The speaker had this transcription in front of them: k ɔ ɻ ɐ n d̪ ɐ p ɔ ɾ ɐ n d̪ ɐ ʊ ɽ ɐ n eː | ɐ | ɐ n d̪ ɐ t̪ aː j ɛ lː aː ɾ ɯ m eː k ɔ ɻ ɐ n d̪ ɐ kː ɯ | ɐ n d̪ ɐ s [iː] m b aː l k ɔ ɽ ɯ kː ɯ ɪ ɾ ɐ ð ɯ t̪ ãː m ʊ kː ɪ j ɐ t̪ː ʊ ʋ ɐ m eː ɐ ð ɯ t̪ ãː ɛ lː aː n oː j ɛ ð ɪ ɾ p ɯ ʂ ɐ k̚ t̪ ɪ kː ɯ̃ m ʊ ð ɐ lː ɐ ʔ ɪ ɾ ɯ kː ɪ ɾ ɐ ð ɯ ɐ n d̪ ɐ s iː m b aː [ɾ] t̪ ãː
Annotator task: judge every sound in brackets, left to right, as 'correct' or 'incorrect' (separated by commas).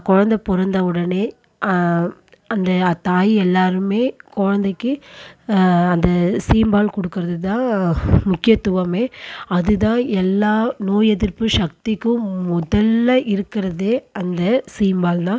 correct, incorrect